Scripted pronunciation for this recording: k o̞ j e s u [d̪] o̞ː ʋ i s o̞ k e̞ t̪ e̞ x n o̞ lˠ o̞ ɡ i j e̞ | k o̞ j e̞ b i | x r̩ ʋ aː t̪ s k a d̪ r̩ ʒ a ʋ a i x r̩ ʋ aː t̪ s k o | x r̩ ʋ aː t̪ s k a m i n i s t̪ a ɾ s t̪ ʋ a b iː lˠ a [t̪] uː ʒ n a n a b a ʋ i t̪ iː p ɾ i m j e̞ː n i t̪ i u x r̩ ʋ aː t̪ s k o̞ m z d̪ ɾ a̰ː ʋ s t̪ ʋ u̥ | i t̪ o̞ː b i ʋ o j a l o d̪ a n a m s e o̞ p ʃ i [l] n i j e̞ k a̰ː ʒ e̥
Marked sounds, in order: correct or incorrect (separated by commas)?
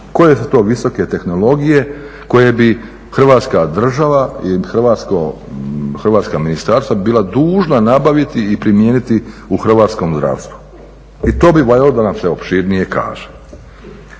incorrect, incorrect, incorrect